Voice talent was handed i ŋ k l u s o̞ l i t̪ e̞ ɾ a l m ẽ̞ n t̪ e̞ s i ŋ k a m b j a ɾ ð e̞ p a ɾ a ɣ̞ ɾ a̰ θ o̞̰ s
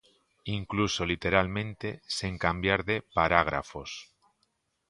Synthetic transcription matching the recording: i ŋ k l u s o̞ l i t̪ e̞ ɾ a l m ẽ̞ n t̪ e̞ s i ŋ k a m b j a ɾ ð e̞ p a ɾ a ɣ̞ ɾ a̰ f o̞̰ s